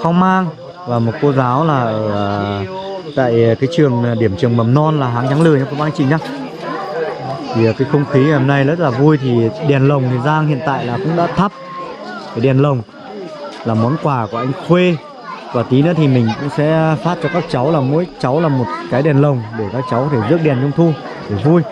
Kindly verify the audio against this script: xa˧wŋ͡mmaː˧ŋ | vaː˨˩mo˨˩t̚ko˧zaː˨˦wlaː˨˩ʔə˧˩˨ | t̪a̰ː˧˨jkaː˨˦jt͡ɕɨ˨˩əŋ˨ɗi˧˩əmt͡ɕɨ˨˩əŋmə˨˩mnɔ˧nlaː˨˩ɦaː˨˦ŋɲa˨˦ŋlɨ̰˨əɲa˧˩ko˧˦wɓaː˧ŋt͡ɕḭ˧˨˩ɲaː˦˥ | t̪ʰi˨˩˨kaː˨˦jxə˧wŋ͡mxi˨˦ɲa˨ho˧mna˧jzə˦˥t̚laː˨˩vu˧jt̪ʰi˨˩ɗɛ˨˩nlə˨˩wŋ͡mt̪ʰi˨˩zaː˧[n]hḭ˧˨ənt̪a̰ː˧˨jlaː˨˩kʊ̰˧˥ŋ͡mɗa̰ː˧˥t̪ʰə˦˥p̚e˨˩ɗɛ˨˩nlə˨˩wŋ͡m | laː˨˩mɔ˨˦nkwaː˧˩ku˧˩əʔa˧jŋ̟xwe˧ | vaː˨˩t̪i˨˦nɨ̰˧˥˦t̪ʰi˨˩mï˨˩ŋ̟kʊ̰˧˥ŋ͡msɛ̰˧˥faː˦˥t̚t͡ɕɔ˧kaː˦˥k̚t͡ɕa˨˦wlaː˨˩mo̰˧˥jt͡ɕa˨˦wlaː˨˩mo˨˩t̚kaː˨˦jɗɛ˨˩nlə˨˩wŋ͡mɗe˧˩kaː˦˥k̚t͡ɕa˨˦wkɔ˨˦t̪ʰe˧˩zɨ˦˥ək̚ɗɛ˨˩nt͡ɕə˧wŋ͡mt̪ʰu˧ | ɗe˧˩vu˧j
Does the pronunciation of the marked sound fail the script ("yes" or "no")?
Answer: yes